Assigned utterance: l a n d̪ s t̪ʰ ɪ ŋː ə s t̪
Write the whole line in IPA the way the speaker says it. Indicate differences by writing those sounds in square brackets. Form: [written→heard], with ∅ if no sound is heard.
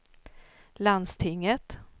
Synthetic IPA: l a n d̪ s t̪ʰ ɪ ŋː ə [s→∅] t̪